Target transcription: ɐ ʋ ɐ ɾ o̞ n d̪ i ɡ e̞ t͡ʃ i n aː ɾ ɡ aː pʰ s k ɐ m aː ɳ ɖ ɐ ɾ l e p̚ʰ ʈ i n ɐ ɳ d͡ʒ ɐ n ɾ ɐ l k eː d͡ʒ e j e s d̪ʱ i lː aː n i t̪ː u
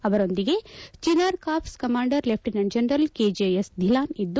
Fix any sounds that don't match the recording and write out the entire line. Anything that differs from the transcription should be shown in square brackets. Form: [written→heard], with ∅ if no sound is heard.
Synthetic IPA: ɐ ʋ ɐ ɾ o̞ n d̪ i ɡ e̞ t͡ʃ i n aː ɾ [ɡ→k] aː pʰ s k ɐ m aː ɳ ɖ ɐ ɾ l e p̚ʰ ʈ i n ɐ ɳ d͡ʒ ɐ n ɾ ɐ l k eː d͡ʒ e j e s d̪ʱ i [lː→l] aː n i [t̪ː→d̪ː] u